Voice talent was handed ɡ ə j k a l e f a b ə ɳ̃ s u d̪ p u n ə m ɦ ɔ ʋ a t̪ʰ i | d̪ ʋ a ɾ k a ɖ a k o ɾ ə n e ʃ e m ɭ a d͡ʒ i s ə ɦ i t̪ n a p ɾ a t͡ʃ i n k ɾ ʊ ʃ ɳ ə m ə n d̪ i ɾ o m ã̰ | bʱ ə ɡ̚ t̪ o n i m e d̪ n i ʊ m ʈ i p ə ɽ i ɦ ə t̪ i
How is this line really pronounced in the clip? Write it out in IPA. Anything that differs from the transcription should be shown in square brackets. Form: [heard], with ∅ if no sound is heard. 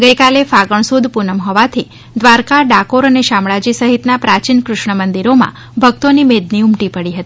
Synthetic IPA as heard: ɡ ə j k a l e f a [ɡ] ə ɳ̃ s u d̪ p u n ə m ɦ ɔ ʋ a t̪ʰ i | d̪ ʋ a ɾ k a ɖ a k o ɾ ə n e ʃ [a] m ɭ a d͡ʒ i s ə ɦ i t̪ n a p ɾ a t͡ʃ i n k ɾ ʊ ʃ ɳ ə m ə n d̪ i ɾ o m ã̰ | bʱ ə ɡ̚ t̪ o n i m e d̪ n i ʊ m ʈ i p ə ɽ i ɦ ə t̪ i

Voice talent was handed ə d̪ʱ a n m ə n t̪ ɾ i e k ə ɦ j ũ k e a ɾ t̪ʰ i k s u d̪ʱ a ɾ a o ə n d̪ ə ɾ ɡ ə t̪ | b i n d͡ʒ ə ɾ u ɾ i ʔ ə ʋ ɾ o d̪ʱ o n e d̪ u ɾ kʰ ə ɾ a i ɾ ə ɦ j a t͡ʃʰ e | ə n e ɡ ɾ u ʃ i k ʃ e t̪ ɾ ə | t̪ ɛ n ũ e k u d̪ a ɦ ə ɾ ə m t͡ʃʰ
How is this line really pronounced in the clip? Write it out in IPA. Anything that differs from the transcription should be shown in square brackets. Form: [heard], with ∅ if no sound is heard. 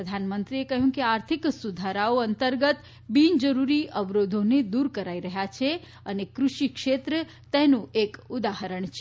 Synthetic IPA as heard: ə d̪ʱ a n m ə n t̪ ɾ i e k ə ɦ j ũ k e a ɾ t̪ʰ i k s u d̪ʱ a ɾ a o ə n [t̪] ə ɾ ɡ ə t̪ | b i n d͡ʒ ə ɾ u ɾ i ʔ ə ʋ ɾ o d̪ʱ o n e d̪ u ɾ [k] ə ɾ a i ɾ ə ɦ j a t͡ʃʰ e | ə n e [k] ɾ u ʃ i k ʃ e t̪ ɾ ə | t̪ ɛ n ũ e k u d̪ a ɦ ə ɾ ə [ɳ] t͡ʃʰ

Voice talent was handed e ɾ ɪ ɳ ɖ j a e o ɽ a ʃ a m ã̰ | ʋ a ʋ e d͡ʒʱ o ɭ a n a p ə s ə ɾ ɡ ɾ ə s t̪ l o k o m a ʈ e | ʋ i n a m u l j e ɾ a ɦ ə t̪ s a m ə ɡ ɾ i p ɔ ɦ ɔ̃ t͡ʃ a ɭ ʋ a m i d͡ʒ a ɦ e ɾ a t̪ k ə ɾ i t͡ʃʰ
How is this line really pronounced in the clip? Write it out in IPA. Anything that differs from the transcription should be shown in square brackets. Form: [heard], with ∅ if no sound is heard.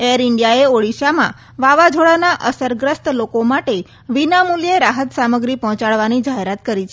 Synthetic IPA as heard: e ɾ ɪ ɳ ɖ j a e o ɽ [i] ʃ a m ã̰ | ʋ a ʋ [a] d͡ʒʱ o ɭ a n a [ʔ] ə s ə ɾ ɡ ɾ ə s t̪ l o k o m a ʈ e | ʋ i n a m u l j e ɾ a ɦ ə t̪ s a m ə ɡ ɾ i p ɔ ɦ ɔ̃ t͡ʃ a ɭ ʋ a [n] i d͡ʒ a ɦ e ɾ a t̪ k ə ɾ i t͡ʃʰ

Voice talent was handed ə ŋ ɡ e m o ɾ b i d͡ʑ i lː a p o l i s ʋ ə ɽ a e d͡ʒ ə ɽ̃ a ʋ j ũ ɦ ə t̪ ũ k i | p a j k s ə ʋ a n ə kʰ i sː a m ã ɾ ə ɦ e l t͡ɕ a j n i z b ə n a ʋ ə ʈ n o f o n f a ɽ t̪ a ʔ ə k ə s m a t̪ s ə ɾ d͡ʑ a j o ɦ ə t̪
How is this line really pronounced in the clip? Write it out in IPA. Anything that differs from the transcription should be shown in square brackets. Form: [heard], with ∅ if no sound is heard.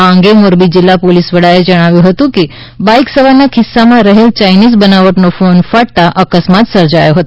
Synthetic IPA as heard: ə ŋ ɡ e m o ɾ b i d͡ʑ i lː a p o l i s ʋ ə ɽ a e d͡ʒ ə ɽ̃ a ʋ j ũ ɦ ə t̪ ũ k i | [b] a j k s ə ʋ a n [a] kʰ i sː a m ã ɾ ə ɦ e l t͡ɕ a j n i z b ə n a ʋ ə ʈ n o f o n f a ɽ t̪ a ʔ ə k ə s m a t̪ s ə ɾ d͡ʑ a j o ɦ ə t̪

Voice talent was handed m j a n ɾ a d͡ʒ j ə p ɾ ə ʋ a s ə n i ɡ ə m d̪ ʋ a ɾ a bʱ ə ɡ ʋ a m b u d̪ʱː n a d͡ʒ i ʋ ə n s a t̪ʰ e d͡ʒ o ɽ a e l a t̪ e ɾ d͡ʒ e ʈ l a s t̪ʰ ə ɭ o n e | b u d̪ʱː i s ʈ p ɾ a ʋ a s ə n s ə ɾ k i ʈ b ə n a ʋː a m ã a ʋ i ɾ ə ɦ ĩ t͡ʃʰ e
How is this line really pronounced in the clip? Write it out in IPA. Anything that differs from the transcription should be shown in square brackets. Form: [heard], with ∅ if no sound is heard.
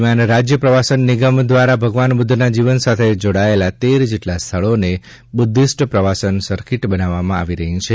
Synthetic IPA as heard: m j a n ɾ a d͡ʒ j ə p ɾ ə ʋ a s ə [nː] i ɡ ə m d̪ ʋ a ɾ a bʱ ə ɡ ʋ a [n] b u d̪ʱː n a d͡ʒ i ʋ ə n s a t̪ʰ e d͡ʒ o ɽ a e l a t̪ e ɾ d͡ʒ e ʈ l a s t̪ʰ ə ɭ o n e | b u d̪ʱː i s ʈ p ɾ [ə] ʋ a s ə n s ə ɾ k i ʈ b ə n a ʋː a m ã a ʋ i ɾ ə ɦ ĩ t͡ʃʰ e

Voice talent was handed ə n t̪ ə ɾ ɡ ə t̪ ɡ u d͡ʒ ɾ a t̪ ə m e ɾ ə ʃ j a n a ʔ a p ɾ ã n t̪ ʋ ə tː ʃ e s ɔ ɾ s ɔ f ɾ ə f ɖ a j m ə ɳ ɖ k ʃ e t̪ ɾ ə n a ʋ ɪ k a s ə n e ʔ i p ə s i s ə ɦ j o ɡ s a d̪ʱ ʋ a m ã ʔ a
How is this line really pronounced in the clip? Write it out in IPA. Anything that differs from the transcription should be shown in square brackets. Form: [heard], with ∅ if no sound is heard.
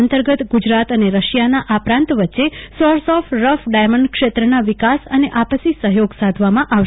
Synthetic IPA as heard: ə n t̪ ə ɾ ɡ ə t̪ ɡ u d͡ʒ ɾ a t̪ ə [n] e ɾ ə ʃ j a n a ʔ a p ɾ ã n t̪ ʋ ə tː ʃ e s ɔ ɾ s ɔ f ɾ ə f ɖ a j m ə ɳ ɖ k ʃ e t̪ ɾ ə n a ʋ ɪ k a s ə n e ʔ [a] p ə s i s ə ɦ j o ɡ s a d̪ʱ ʋ a m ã ʔ a

